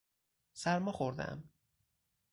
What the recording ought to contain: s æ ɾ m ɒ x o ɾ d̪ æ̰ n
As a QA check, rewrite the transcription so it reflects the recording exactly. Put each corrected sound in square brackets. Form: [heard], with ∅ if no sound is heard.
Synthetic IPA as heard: s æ ɾ m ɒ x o ɾ d̪ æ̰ [m]